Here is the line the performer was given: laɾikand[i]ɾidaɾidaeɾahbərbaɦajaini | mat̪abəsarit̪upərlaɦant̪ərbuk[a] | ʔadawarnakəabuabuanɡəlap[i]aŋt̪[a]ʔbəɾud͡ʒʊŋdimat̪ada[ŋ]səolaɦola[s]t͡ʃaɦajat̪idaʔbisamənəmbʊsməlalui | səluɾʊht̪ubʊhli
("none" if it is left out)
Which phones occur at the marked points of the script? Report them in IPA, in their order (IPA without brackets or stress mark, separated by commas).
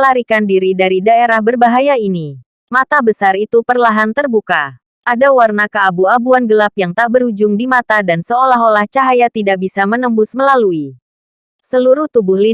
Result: i, a, j, a, n, h